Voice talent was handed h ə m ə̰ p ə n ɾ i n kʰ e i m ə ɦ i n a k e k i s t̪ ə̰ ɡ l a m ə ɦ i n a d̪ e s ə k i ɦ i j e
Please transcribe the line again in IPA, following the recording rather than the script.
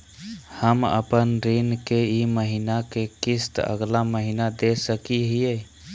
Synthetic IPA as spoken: h ə m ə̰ p ə n ɾ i n k e i m ə ɦ i n a k e k i s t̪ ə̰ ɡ l a m ə ɦ i n a d̪ e s ə k i ɦ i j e